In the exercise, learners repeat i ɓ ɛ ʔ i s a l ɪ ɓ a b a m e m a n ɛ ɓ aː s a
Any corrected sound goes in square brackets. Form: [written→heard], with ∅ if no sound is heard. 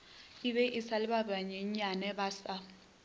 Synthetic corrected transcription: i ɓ ɛ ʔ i s a l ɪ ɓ a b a [m→ɲ] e [m→ɲ] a n ɛ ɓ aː s a